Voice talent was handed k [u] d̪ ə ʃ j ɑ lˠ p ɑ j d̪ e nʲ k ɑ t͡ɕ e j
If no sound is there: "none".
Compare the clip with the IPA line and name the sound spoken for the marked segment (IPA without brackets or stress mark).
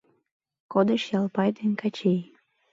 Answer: o